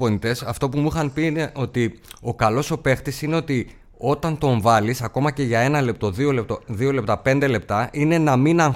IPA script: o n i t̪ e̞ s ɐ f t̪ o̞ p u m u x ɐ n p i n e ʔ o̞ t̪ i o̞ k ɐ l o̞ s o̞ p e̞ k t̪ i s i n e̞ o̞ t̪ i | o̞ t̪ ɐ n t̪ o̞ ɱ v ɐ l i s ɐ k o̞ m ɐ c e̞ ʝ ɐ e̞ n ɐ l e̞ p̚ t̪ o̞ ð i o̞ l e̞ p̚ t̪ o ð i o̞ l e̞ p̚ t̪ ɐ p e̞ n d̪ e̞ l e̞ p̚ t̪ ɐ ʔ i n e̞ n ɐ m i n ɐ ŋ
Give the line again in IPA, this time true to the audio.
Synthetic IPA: o n i t̪ e̞ s ɐ f t̪ o̞ p u m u x ɐ n p i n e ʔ o̞ t̪ i o̞ k ɐ l o̞ s o̞ p e̞ x t̪ i s i n e̞ o̞ t̪ i | o̞ t̪ ɐ n t̪ o̞ ɱ v ɐ l i s ɐ k o̞ m ɐ c e̞ ʝ ɐ e̞ n ɐ l e̞ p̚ t̪ o̞ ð i o̞ l e̞ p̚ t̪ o ð i o̞ l e̞ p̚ t̪ ɐ p e̞ n d̪ e̞ l e̞ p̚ t̪ ɐ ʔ i n e̞ n ɐ m i n ɐ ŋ